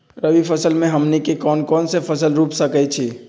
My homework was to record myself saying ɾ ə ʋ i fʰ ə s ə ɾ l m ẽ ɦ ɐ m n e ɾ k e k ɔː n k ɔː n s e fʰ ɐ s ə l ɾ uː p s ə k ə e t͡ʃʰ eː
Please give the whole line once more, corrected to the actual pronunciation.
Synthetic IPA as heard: ɾ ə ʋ i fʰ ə s ə l m ẽ ɦ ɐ m n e k e k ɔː n k ɔː n s e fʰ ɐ s ə l ɾ uː p s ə k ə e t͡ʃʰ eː